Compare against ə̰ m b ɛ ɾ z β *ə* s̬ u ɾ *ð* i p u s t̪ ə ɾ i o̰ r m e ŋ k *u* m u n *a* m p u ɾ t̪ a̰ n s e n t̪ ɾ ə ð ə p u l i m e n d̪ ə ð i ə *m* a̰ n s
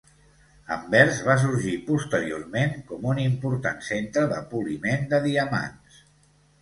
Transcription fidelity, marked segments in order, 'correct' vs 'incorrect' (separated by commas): incorrect, incorrect, incorrect, incorrect, correct